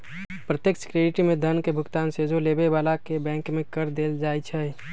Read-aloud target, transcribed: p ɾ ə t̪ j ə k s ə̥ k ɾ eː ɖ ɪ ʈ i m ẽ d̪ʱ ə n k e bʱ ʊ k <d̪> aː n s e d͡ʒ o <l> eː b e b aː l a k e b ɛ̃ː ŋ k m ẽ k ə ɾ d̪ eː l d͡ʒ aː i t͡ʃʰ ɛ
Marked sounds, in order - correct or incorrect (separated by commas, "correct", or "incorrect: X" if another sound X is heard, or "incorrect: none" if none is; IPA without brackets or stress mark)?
incorrect: t̪, correct